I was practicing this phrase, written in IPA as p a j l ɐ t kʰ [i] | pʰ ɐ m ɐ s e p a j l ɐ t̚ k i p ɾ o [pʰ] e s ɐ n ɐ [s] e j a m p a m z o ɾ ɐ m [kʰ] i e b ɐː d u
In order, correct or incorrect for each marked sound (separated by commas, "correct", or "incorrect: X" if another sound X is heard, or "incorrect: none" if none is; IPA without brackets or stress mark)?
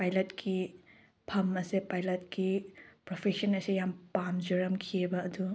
correct, correct, correct, correct